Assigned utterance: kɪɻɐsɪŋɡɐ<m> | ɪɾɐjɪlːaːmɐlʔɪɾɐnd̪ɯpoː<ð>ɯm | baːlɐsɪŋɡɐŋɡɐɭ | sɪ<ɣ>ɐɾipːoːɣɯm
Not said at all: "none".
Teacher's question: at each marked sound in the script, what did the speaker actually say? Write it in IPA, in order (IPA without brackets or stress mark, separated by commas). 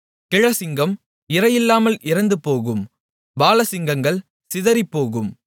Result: m, ɣ, ð